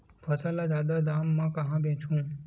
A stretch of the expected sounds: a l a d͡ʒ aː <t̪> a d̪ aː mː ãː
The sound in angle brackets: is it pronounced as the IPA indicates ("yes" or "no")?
no